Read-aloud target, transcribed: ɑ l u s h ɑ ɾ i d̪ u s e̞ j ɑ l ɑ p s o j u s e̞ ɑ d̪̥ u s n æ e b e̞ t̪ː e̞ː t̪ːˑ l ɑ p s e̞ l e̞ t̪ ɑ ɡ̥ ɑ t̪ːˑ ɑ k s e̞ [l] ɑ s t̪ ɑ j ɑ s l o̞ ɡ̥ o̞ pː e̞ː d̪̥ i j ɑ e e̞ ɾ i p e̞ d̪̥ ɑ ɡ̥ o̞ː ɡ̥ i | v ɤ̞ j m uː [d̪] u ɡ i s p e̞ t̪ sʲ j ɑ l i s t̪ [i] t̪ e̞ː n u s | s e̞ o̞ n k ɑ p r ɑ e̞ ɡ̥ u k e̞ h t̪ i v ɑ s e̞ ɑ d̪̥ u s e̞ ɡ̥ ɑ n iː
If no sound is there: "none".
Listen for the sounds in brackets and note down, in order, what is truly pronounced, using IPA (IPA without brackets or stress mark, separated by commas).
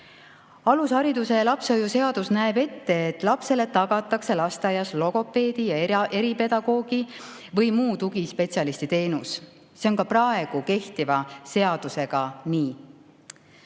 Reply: l, t̪, i